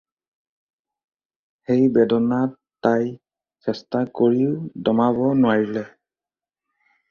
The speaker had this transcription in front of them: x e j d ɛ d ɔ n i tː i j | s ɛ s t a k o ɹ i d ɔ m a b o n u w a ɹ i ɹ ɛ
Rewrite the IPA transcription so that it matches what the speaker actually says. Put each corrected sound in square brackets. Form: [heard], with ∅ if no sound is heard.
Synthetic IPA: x e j [b] ɛ d ɔ n [a] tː [a] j | s ɛ s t a k o ɹ i d ɔ m a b [ɔ] n [ʊ] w a ɹ i [l] ɛ